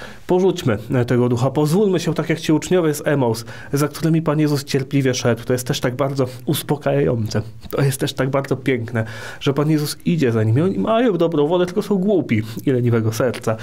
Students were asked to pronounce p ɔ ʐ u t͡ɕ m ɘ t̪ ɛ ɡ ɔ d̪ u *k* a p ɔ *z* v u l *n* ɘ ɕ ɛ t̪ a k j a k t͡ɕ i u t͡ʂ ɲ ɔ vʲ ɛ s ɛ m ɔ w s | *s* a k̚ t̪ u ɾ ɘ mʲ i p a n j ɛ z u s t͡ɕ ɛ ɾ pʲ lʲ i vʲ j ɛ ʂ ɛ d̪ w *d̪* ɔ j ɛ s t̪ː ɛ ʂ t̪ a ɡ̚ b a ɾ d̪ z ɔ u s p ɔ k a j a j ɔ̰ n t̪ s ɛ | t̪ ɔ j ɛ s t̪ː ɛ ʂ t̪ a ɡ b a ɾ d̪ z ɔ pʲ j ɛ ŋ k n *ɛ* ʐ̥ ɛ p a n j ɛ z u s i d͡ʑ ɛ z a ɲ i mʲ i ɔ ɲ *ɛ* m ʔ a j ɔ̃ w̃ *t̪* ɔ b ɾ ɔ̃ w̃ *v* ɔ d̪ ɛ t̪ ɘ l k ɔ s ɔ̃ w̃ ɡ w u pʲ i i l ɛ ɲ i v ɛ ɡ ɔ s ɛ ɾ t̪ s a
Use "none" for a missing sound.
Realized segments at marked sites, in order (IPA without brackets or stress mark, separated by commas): x, z, m, z, t̪, ɛ, i, d̪, v